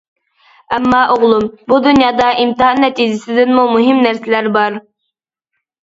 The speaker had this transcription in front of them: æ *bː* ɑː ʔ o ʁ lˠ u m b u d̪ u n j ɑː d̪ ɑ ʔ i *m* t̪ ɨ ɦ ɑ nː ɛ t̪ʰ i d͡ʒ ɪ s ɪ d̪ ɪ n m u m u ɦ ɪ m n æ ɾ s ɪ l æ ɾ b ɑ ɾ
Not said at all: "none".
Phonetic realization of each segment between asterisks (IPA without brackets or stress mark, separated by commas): mː, m